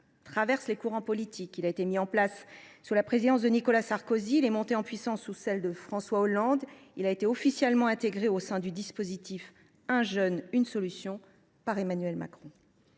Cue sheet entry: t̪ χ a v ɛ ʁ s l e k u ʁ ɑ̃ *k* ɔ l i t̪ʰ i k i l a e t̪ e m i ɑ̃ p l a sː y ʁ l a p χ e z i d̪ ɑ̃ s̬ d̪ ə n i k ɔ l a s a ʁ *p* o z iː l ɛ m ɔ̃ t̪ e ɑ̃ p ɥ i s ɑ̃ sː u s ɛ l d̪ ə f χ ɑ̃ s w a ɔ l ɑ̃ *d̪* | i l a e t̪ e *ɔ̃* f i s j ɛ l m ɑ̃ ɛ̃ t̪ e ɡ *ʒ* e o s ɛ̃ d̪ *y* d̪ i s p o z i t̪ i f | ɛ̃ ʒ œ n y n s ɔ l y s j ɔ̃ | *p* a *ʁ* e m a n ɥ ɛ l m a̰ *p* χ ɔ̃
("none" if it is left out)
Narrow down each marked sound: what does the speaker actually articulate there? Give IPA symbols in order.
p, k, d̪, ɔ, ʁ, y, p, ʁ, k

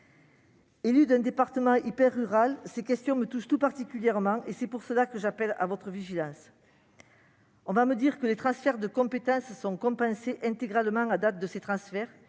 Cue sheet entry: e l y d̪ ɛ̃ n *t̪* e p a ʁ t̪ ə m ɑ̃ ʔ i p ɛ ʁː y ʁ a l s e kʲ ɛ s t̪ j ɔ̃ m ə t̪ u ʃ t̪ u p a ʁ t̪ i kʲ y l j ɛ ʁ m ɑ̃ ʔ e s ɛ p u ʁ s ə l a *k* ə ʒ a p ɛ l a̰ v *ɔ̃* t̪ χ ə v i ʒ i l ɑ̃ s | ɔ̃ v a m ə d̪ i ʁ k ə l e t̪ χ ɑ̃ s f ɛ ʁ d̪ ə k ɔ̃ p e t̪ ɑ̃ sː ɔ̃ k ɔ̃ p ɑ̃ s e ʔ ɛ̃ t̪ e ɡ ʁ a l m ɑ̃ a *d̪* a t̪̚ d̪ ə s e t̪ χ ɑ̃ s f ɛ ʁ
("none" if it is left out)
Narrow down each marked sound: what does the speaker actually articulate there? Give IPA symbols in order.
d̪, k, ɔ, d̪

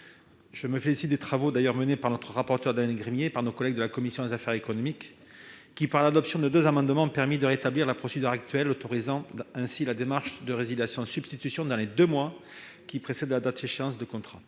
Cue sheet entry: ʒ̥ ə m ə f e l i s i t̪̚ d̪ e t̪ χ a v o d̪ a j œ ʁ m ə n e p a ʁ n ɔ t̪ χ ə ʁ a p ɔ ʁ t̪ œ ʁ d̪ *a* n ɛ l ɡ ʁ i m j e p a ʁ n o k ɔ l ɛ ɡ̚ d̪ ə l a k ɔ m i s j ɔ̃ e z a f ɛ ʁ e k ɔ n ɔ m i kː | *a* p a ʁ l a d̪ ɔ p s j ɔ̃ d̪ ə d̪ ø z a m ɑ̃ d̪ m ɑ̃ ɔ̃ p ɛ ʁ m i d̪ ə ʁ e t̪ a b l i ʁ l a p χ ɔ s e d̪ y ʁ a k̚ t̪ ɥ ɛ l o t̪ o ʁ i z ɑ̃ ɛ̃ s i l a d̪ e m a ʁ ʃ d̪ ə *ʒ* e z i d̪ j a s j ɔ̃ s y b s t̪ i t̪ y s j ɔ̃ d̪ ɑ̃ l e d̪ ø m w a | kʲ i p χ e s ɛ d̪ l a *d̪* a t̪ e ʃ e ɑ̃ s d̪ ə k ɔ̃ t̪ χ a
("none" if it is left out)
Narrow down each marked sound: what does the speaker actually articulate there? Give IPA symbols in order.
a, i, ʁ, d̪

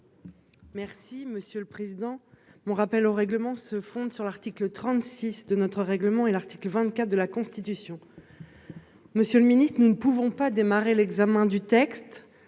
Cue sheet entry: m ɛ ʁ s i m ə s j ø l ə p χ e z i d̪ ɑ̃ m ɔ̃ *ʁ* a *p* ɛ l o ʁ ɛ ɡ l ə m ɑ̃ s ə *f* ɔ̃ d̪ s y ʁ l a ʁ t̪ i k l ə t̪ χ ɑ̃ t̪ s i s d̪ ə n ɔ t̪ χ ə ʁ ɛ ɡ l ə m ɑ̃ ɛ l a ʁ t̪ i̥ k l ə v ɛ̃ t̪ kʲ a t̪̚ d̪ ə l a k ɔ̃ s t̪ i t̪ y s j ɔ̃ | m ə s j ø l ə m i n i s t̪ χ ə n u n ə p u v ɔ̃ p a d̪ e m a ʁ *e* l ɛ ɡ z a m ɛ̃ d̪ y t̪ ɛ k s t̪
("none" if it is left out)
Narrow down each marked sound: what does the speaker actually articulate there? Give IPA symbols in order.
ʁ, p, f, e

